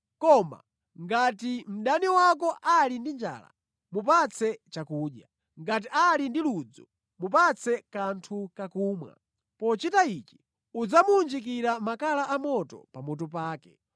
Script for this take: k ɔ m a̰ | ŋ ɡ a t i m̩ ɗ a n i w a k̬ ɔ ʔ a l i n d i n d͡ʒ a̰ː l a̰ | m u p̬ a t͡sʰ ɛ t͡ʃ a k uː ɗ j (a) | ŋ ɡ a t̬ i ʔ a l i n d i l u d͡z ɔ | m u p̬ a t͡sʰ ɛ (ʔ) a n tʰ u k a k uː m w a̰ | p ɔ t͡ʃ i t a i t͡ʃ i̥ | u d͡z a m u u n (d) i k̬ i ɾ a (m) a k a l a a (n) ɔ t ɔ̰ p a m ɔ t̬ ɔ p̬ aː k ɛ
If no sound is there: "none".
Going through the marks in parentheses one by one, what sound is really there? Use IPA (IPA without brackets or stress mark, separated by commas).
a, k, d͡ʒ, m, m